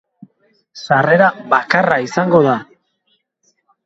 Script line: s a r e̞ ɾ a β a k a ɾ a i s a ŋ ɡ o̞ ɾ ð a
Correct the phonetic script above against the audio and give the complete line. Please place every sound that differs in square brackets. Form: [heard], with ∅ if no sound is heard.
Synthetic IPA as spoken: s a r e̞ ɾ a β a k a [r] a i s a ŋ ɡ o̞ [∅] ð a

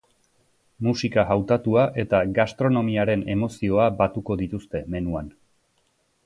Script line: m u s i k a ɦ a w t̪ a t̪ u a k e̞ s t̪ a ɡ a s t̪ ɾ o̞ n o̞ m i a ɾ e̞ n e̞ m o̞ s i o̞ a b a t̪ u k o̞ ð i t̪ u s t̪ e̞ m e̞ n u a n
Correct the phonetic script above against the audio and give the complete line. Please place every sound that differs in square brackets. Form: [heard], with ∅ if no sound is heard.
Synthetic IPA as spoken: m u s i k a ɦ a w t̪ a t̪ u a [ʔ] e̞ [∅] t̪ a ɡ a s t̪ ɾ o̞ n o̞ m i a ɾ e̞ n e̞ m o̞ s i o̞ a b a t̪ u k o̞ ð i t̪ u s t̪ e̞ m e̞ n u a n

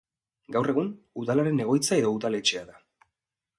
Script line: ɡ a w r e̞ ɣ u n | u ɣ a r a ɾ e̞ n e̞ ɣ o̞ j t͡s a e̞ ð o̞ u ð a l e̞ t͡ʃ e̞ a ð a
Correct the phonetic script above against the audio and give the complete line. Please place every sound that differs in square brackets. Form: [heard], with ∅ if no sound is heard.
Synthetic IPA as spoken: ɡ a w r e̞ ɣ u n | u [ð] a [l] a ɾ e̞ n e̞ ɣ o̞ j t͡s a e̞ ð o̞ u ð a l e̞ t͡ʃ e̞ a ð a

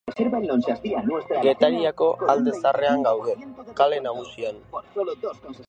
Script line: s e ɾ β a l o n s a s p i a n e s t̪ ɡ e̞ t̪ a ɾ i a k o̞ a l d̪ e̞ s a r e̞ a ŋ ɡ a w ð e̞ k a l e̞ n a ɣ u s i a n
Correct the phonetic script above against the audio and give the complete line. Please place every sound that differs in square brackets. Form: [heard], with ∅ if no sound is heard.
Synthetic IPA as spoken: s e ɾ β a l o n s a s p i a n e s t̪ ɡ e̞ t̪ a ɾ i a k o̞ a l d̪ e̞ s a r e̞ a ŋ ɡ a w ð e̞ k a l e̞ n a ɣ u s i a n

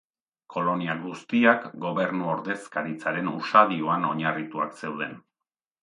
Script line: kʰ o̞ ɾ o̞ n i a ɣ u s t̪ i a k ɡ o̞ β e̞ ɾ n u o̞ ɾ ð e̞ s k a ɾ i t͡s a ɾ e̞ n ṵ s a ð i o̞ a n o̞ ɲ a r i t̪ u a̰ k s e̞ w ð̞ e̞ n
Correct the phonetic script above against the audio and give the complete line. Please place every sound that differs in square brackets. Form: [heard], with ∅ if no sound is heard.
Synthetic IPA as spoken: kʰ o̞ [l] o̞ n i a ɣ u s t̪ i a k ɡ o̞ β e̞ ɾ n u o̞ ɾ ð e̞ s k a ɾ i t͡s a ɾ e̞ n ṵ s a ð i o̞ a n o̞ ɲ a r i t̪ u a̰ k s e̞ w ð̞ e̞ n

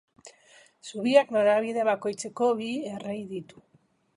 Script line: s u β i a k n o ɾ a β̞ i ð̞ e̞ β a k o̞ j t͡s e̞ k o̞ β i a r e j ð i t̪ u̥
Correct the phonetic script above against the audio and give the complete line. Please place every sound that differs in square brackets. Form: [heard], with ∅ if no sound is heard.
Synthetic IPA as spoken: s u β i a k n o ɾ a β̞ i ð̞ e̞ β a k o̞ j t͡s e̞ k o̞ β i [e] r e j ð i t̪ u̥

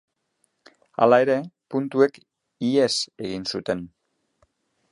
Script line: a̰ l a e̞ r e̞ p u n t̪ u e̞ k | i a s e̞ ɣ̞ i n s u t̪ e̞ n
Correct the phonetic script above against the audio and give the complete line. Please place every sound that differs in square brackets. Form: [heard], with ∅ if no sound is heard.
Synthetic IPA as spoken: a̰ l a e̞ [ɾ] e̞ p u n t̪ u e̞ k | i [e] s e̞ ɣ̞ i n s u t̪ e̞ n

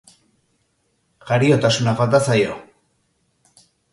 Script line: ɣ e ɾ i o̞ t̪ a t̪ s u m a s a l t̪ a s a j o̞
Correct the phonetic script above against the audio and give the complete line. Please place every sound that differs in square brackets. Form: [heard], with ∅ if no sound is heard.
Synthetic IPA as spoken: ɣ [a] ɾ i o̞ t̪ a [∅] s u [n] a [f] a l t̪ a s a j o̞

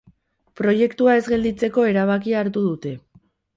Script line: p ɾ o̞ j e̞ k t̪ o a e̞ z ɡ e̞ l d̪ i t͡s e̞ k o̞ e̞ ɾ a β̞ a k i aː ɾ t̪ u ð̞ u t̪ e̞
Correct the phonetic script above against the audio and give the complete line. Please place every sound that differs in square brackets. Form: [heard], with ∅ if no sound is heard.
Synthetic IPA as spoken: p ɾ o̞ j e̞ k t̪ [u] a e̞ z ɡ e̞ l d̪ i t͡s e̞ k o̞ e̞ ɾ a β̞ a k i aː ɾ t̪ u ð̞ u t̪ e̞

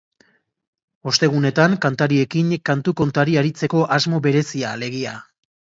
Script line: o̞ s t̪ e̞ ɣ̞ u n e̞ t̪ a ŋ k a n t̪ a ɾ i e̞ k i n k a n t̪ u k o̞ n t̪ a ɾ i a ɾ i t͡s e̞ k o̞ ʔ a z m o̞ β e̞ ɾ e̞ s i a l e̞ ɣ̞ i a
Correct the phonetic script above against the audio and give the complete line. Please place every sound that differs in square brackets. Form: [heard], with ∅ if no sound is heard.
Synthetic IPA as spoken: o̞ s t̪ e̞ ɣ̞ u n e̞ t̪ a ŋ k a n t̪ a ɾ i e̞ k i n k a n t̪ u k o̞ n t̪ a ɾ i a ɾ i t͡s e̞ k o̞ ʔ a z m o̞ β e̞ ɾ e̞ s i a l e̞ ɣ̞ i a

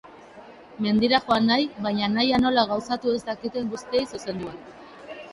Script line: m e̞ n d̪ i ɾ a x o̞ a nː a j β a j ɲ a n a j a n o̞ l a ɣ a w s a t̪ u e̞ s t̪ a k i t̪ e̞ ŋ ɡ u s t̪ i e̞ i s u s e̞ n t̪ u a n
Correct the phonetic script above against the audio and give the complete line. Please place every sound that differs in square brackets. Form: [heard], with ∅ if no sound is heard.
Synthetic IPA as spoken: m e̞ n d̪ i ɾ a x o̞ a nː a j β a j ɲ a n a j a n o̞ l a ɣ a w s a t̪ u e̞ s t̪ a k i t̪ e̞ ŋ ɡ u s t̪ i e̞ [j] s u s e̞ n [d̪] u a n

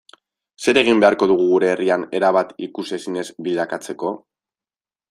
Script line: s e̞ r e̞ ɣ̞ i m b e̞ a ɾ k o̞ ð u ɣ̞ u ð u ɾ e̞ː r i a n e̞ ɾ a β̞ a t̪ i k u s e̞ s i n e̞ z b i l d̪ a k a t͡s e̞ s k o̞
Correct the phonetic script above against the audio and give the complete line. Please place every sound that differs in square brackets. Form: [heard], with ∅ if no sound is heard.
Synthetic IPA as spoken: s e̞ [ɾ] e̞ ɣ̞ i m b e̞ a ɾ k o̞ ð u ɣ̞ u [ɣ] u ɾ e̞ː r i a n e̞ ɾ a β̞ a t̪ i k u s e̞ s i n e̞ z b i l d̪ a k a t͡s e̞ [∅] k o̞

